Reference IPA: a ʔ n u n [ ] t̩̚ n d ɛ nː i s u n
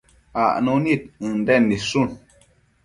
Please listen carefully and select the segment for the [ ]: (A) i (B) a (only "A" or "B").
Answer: A